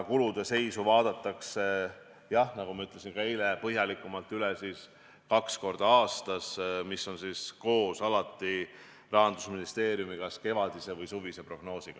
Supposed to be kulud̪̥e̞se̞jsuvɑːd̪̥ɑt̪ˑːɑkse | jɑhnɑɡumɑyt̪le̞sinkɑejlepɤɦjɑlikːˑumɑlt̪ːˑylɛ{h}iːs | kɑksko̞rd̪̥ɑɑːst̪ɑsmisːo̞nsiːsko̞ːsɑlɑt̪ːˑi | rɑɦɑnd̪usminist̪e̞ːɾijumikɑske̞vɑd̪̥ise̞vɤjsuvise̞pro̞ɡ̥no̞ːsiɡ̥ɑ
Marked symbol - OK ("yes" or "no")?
no